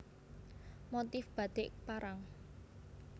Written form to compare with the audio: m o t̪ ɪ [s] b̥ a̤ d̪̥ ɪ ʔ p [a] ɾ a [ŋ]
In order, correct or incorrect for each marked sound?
incorrect, correct, correct

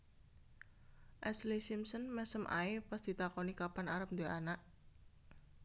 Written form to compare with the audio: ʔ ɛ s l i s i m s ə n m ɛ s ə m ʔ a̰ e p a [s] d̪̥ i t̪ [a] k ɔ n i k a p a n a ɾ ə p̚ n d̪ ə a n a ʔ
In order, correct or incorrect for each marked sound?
correct, correct

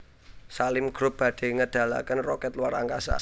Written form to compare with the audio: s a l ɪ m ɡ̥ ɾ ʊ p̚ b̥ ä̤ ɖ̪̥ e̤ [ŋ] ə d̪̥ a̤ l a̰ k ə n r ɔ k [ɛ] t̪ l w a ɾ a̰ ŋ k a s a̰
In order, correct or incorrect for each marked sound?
correct, correct

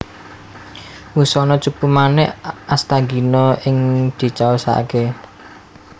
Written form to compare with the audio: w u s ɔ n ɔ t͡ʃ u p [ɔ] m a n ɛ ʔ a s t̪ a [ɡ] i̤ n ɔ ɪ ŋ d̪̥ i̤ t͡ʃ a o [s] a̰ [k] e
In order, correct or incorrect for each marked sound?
incorrect, correct, correct, correct

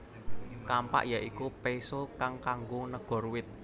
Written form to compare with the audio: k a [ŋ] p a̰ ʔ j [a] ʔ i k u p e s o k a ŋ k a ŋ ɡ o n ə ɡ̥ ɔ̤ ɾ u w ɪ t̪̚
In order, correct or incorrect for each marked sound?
incorrect, correct

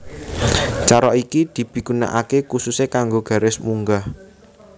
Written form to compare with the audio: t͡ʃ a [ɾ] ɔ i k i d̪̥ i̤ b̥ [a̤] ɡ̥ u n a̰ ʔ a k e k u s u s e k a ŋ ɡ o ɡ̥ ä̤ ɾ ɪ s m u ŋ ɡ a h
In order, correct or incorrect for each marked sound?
correct, incorrect

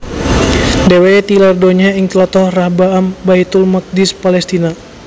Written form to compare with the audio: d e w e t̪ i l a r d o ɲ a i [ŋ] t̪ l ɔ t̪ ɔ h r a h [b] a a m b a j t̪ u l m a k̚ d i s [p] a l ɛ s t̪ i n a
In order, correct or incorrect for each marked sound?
correct, correct, correct

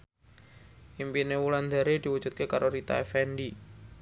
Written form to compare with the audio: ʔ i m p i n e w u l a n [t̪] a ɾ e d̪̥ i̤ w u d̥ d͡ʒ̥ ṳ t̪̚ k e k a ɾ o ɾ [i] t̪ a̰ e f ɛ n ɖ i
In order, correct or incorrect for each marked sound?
incorrect, correct

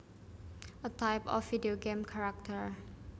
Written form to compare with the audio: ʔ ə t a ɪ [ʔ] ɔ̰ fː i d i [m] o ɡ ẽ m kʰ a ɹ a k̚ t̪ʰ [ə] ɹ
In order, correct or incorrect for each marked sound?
incorrect, incorrect, correct

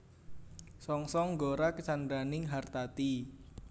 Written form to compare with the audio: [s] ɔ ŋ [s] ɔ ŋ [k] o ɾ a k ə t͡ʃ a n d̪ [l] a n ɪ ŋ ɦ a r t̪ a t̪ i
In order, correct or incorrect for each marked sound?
correct, correct, incorrect, incorrect

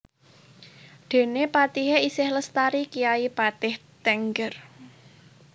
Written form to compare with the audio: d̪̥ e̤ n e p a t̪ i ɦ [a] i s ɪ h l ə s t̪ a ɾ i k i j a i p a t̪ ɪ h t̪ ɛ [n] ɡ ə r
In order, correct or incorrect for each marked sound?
incorrect, incorrect

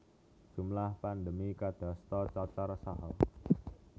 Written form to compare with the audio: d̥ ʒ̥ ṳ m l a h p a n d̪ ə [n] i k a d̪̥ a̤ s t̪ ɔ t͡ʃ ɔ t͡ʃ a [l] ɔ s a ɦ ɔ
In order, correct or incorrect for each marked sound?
incorrect, incorrect

